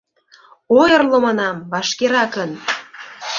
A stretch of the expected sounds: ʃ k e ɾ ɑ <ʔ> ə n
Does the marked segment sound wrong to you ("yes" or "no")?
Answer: yes